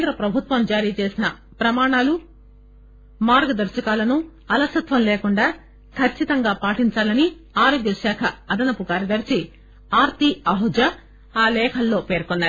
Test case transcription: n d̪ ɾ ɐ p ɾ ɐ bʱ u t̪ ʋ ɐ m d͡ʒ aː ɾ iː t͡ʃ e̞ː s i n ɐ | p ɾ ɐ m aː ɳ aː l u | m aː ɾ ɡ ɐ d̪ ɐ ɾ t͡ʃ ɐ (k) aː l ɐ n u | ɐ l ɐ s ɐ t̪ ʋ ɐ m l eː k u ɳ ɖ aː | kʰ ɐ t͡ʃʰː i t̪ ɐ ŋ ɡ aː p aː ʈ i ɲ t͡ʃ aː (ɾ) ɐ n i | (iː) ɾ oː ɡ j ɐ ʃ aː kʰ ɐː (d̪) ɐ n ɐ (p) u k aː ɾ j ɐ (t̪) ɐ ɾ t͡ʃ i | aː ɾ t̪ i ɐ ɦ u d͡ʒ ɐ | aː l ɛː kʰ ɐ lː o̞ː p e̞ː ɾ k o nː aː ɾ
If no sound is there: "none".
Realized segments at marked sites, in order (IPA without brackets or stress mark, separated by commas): k, l, aː, d̪, p, d̪